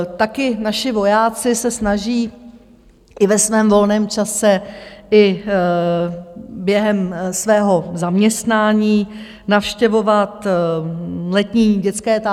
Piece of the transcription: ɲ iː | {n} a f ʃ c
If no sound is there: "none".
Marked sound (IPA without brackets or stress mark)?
n